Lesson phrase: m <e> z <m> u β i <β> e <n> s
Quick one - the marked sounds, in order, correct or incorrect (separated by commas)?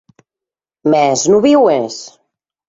incorrect, incorrect, incorrect, incorrect